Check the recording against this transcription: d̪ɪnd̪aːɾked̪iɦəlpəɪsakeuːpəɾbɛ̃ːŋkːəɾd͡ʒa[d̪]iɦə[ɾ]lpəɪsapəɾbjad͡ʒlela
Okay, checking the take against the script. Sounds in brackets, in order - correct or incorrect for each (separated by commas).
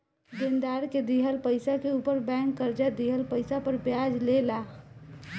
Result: correct, incorrect